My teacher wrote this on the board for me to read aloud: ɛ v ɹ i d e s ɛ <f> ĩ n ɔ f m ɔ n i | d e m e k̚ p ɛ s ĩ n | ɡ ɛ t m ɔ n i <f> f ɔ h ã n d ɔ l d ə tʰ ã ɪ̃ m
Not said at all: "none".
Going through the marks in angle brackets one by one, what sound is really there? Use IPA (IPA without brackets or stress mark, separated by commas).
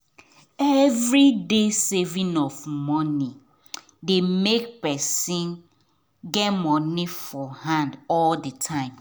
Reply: v, f